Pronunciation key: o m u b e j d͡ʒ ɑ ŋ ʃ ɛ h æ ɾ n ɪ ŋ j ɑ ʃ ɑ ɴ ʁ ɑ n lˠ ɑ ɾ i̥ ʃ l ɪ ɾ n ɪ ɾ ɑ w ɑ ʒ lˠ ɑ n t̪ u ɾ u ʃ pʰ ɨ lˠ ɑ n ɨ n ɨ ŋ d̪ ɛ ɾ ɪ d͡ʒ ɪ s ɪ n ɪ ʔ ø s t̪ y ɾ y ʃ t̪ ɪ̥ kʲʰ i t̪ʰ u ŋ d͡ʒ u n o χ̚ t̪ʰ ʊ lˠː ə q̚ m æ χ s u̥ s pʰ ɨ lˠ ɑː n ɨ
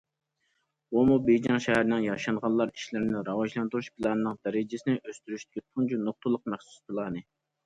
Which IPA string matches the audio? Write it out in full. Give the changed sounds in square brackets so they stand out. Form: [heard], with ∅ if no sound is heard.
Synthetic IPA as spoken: o m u b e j d͡ʒ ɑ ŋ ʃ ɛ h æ ɾ n ɪ ŋ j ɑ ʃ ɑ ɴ ʁ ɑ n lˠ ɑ ɾ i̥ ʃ l ɪ ɾ n ɪ ɾ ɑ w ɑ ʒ lˠ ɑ n t̪ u ɾ u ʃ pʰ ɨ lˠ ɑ n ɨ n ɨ ŋ d̪ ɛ ɾ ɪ d͡ʒ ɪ s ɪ n ɪ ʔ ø s t̪ y ɾ y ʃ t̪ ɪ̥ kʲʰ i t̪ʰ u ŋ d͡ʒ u n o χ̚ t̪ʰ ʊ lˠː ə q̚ m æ χ s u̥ s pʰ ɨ lˠ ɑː n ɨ